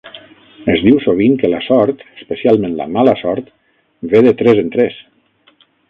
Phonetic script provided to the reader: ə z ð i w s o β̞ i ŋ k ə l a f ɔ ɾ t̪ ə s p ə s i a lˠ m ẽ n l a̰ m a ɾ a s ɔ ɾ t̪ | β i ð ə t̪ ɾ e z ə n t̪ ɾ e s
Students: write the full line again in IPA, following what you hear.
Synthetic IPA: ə z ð i w s o β̞ i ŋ k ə l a s ɔ ɾ t̪ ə s p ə s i a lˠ m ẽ n l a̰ m a l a s ɔ ɾ t̪ | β e ð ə t̪ ɾ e z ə n t̪ ɾ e s